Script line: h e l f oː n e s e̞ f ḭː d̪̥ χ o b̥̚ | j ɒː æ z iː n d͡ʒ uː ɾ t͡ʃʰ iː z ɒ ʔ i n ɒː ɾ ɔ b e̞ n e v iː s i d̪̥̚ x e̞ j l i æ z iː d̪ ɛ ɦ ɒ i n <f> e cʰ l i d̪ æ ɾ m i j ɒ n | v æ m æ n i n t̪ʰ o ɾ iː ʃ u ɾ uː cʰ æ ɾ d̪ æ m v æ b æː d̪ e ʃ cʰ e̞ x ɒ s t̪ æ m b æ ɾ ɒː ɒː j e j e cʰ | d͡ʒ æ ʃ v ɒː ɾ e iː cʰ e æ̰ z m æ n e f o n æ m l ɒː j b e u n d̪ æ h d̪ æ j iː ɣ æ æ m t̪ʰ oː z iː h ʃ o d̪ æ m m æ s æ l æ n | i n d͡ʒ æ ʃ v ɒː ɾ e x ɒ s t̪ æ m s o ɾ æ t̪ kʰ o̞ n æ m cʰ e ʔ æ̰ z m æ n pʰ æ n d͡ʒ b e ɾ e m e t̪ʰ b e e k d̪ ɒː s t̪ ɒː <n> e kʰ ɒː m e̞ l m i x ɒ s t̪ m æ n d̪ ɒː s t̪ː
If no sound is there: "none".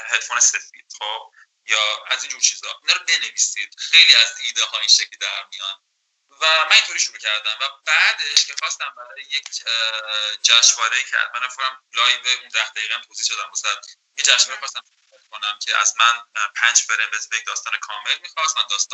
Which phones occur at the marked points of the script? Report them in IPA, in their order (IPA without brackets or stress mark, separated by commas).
ʃ, n